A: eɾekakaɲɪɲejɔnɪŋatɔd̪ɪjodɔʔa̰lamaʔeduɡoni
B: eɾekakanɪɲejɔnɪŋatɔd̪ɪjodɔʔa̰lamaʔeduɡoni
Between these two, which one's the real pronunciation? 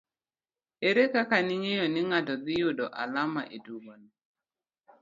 B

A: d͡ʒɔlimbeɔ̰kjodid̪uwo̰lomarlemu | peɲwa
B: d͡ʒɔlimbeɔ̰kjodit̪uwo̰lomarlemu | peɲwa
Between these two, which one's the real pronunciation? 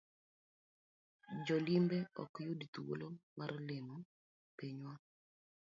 B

